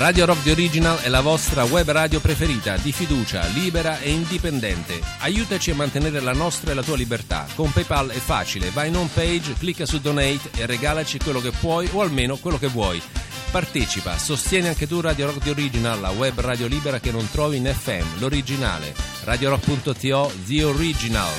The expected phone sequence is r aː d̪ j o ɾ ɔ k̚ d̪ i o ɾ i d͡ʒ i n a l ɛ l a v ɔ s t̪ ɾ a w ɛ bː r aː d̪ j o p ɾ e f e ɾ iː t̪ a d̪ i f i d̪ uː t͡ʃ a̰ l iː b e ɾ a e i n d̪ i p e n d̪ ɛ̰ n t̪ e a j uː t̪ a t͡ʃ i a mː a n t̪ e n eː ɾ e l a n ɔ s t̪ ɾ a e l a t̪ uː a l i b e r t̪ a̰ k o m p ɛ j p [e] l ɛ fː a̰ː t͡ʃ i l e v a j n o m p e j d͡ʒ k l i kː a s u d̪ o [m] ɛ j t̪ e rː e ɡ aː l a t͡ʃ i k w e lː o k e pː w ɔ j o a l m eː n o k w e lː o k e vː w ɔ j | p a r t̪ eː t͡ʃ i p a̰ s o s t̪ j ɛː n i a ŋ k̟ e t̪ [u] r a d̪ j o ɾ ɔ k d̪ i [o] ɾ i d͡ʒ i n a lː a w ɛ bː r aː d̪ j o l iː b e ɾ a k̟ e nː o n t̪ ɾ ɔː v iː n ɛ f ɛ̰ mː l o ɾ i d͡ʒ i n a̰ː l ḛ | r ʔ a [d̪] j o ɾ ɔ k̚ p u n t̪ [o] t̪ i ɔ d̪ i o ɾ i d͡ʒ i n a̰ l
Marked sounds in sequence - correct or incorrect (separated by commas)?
incorrect, incorrect, correct, correct, correct, correct